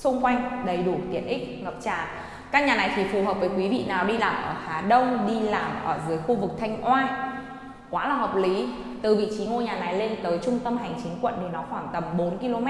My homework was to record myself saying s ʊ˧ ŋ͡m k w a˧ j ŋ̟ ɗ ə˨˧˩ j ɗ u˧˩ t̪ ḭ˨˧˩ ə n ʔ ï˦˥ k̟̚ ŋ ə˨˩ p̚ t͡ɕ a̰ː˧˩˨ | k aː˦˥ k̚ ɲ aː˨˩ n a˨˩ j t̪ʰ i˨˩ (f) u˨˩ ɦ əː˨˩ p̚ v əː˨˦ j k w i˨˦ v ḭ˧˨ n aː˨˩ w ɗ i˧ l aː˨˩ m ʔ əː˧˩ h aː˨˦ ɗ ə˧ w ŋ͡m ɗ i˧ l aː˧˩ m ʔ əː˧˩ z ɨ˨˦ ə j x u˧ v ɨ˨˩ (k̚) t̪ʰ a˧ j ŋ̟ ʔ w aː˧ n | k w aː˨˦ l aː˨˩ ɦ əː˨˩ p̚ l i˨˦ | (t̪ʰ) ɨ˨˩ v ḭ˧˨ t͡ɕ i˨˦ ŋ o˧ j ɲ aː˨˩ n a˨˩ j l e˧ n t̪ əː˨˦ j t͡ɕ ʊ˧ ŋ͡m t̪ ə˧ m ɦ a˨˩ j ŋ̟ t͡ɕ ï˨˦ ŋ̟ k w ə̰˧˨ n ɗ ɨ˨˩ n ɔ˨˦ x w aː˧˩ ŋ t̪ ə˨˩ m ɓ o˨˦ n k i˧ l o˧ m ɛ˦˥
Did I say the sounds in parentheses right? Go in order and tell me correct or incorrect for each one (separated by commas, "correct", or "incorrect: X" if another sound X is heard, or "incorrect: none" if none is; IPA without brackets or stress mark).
correct, correct, incorrect: t̪